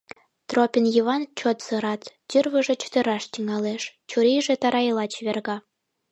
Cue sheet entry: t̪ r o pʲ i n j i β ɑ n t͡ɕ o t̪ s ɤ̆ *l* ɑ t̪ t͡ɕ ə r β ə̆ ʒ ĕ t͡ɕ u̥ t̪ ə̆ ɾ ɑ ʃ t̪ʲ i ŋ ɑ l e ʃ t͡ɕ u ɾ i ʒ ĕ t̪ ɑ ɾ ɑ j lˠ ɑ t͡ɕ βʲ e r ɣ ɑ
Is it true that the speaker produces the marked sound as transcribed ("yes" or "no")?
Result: no